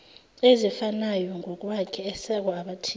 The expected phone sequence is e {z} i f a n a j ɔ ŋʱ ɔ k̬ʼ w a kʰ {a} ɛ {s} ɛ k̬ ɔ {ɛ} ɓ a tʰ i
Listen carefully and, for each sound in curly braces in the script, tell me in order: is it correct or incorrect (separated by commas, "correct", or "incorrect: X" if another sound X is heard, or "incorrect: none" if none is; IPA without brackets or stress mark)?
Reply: correct, incorrect: ɛ, correct, incorrect: a